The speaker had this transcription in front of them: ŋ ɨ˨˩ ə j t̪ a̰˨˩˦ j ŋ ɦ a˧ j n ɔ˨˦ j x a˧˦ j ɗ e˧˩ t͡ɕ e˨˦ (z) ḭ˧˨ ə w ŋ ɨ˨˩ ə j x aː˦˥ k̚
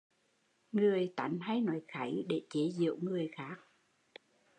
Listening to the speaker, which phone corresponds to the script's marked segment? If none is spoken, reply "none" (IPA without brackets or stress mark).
z